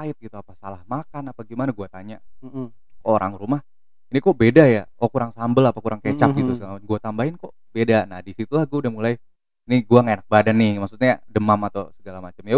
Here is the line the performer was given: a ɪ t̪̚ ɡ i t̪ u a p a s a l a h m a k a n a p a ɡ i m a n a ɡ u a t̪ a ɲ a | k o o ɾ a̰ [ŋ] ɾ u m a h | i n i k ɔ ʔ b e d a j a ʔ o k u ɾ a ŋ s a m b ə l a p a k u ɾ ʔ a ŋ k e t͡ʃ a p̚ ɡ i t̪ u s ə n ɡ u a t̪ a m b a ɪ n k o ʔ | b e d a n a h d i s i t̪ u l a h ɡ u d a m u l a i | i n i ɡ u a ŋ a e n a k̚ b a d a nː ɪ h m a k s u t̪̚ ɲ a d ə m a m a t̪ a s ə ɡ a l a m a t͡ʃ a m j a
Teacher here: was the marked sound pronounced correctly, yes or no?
yes